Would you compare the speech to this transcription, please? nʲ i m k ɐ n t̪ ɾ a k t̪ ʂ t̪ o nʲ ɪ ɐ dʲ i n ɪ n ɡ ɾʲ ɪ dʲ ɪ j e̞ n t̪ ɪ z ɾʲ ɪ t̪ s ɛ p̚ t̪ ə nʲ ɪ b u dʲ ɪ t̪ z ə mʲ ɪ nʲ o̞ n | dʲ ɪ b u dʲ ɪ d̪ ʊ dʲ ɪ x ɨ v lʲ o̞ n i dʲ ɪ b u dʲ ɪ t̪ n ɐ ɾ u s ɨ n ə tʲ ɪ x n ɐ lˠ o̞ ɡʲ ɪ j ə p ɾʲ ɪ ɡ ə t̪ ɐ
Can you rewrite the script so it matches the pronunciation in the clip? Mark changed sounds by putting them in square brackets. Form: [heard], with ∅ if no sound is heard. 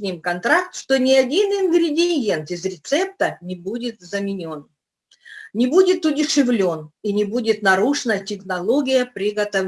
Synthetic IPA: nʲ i m k ɐ n t̪ ɾ a k t̪ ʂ t̪ o nʲ ɪ ɐ dʲ i n ɪ n ɡ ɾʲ ɪ dʲ ɪ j e̞ n t̪ ɪ z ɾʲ ɪ t̪ s ɛ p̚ t̪ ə nʲ ɪ b u dʲ ɪ t̪ z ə mʲ ɪ nʲ o̞ n | [nʲ] ɪ b u dʲ ɪ [t̪] ʊ dʲ ɪ [ʂ] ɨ v lʲ o̞ n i [nʲ] ɪ b u dʲ ɪ t̪ n ɐ ɾ u [ʂ] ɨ n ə tʲ ɪ x n ɐ lˠ o̞ ɡʲ ɪ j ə p ɾʲ ɪ ɡ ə t̪ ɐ